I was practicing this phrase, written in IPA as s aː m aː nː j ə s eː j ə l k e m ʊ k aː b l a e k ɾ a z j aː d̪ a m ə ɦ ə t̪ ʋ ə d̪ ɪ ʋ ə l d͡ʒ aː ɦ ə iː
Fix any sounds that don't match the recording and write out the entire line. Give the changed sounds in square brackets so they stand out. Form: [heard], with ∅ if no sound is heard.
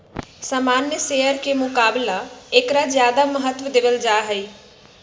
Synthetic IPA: s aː m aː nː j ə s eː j ə [ɾ] k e m ʊ k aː b l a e k ɾ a z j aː d̪ a m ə ɦ ə t̪ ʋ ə d̪ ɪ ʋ ə l d͡ʒ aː ɦ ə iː

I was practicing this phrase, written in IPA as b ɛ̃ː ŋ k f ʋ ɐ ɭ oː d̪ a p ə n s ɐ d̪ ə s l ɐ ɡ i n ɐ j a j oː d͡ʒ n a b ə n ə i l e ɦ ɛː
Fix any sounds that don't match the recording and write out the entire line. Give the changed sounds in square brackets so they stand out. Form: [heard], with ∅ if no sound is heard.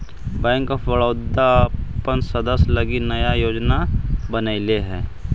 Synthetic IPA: b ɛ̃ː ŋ k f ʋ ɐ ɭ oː d̪ a p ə n s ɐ d̪ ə s l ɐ ɡ i n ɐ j a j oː d͡ʒ n a b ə n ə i l e ɦ ɛː

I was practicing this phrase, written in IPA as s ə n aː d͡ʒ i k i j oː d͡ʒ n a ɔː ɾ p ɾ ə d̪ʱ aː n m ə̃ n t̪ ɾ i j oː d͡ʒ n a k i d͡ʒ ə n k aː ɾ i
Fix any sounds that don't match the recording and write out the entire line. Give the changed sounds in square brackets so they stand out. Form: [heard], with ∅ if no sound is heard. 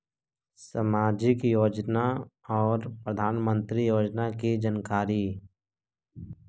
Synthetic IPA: s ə [m] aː d͡ʒ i k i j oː d͡ʒ n a ɔː ɾ p ɾ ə d̪ʱ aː n m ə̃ n t̪ ɾ i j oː d͡ʒ n a k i d͡ʒ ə n k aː ɾ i

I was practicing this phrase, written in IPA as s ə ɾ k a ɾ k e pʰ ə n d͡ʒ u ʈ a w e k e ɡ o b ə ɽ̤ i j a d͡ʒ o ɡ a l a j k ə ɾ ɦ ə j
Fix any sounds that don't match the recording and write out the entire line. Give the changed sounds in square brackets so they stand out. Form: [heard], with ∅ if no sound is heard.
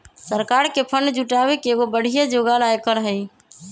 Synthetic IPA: s ə ɾ k a ɾ k e pʰ ə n d͡ʒ u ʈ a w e k e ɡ o b ə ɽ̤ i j a d͡ʒ o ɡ a l a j k ə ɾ ɦ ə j

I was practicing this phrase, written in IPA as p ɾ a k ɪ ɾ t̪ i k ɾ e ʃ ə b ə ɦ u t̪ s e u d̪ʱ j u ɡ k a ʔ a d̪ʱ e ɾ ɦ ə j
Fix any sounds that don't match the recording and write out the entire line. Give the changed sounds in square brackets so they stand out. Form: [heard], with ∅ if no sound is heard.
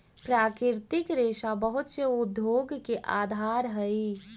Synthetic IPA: p ɾ a k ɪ ɾ t̪ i k ɾ e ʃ [a] b ə ɦ u t̪ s e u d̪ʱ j [o] ɡ k [e] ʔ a d̪ʱ [a] ɾ ɦ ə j

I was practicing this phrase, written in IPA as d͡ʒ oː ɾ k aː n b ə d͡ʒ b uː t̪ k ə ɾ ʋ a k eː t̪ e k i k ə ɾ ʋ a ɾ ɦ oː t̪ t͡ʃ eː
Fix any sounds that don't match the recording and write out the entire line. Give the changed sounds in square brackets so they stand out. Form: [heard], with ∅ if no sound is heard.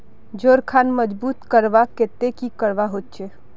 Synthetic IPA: d͡ʒ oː ɾ [kʰ] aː n [m] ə d͡ʒ b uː t̪ k ə ɾ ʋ a k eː t̪ e k i k ə ɾ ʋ a [∅] ɦ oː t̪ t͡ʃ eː

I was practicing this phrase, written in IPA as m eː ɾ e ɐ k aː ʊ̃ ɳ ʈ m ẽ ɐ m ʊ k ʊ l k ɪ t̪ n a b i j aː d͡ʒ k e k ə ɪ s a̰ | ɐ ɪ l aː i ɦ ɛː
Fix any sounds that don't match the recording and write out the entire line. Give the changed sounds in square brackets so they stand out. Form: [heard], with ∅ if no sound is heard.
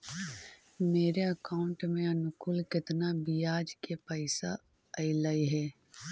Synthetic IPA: m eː ɾ e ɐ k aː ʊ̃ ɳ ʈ m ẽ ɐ [n] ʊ k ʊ l k ɪ t̪ n a b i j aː d͡ʒ k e [p] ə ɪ s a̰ | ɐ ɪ l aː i ɦ ɛː

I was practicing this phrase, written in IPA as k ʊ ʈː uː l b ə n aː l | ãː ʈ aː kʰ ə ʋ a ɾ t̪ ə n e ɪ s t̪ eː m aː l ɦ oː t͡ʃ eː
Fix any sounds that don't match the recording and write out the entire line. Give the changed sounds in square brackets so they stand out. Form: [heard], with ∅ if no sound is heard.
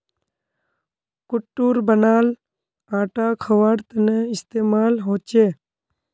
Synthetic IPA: k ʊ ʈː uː [ɾ] b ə n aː l | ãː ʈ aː kʰ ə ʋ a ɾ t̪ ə n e ɪ s t̪ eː m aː l ɦ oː t͡ʃ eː

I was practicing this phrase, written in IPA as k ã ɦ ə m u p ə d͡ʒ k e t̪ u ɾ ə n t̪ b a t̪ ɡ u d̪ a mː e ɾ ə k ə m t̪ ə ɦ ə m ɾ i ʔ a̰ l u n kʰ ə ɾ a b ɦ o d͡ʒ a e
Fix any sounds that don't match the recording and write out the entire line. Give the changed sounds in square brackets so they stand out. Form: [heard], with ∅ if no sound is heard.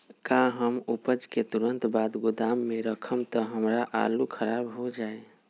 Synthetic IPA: k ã ɦ ə m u p ə d͡ʒ k e t̪ u ɾ ə n t̪ b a [d̪] ɡ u d̪ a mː e ɾ ə [kʰ] ə m t̪ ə ɦ ə m ɾ [a] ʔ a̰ l u [∅] kʰ ə ɾ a b ɦ o d͡ʒ a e

